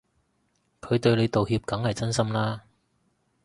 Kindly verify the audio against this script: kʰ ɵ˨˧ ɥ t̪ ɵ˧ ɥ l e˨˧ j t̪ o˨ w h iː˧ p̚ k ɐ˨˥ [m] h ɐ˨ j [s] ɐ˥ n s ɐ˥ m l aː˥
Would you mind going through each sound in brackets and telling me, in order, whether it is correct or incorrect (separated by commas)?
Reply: incorrect, incorrect